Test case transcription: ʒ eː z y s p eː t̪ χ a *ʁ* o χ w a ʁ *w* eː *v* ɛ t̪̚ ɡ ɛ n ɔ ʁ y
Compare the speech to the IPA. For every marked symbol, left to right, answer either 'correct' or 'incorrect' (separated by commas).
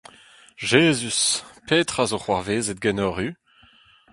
incorrect, incorrect, incorrect